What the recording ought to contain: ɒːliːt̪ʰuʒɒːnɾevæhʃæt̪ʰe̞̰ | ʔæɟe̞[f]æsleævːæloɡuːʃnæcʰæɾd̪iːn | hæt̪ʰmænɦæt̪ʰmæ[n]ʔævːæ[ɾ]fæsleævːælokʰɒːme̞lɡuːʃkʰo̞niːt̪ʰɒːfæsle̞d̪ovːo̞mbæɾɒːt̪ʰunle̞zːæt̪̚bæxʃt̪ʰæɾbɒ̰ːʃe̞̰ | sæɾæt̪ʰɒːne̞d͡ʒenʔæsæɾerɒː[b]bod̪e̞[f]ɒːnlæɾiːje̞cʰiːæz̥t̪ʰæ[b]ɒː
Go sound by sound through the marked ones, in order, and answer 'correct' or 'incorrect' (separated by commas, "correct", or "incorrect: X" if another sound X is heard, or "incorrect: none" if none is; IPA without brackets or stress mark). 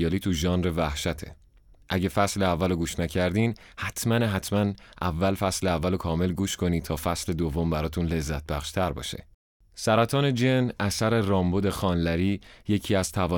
correct, correct, incorrect: l, incorrect: m, incorrect: x, incorrect: v